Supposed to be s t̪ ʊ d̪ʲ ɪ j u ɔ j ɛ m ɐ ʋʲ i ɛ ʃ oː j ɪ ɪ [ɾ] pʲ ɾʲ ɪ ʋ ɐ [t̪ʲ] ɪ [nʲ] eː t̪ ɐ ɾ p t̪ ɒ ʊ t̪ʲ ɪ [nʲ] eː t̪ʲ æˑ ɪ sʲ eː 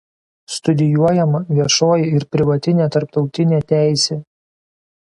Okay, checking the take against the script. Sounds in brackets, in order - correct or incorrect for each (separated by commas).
correct, correct, correct, correct